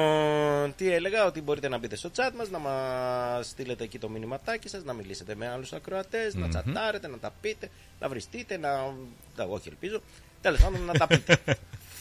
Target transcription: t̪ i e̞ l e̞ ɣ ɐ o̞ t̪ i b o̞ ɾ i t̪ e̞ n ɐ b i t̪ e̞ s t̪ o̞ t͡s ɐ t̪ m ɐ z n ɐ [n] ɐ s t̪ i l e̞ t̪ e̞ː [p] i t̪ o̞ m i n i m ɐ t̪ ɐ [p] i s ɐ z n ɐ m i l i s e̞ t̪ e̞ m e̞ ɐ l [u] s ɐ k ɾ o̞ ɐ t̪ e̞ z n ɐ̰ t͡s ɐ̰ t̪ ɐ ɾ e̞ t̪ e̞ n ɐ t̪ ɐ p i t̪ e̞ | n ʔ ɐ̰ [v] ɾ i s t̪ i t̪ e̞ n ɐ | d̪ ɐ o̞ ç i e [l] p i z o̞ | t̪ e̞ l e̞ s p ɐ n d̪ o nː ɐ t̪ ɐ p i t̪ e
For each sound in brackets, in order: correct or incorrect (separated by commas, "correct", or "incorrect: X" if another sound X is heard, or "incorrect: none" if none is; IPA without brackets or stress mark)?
incorrect: m, incorrect: c, incorrect: c, correct, correct, correct